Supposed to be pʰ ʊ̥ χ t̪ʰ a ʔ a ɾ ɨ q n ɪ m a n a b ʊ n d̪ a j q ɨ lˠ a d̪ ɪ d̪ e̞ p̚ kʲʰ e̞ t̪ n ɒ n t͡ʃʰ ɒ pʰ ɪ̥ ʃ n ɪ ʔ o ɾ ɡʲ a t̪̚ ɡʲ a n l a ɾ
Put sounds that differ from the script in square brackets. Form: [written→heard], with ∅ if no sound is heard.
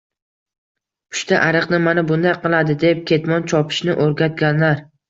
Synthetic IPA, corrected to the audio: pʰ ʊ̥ [χ→ʃ] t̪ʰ a ʔ a ɾ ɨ q n ɪ m a n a b ʊ n d̪ a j q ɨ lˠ a d̪ ɪ d̪ e̞ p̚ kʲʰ e̞ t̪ [n→m] ɒ n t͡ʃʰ ɒ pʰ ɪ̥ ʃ n ɪ ʔ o ɾ ɡʲ a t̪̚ ɡʲ a n l a ɾ